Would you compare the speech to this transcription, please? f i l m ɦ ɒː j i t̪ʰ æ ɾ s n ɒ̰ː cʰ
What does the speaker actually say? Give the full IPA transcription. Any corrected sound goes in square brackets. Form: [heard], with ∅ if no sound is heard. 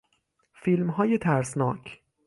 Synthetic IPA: f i l m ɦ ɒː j [e] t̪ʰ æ ɾ s n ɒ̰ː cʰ